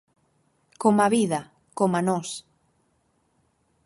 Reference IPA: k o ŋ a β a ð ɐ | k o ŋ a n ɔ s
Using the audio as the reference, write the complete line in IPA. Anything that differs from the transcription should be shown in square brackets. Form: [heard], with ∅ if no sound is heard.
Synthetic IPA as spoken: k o [m] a β [i] ð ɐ | k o [m] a n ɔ s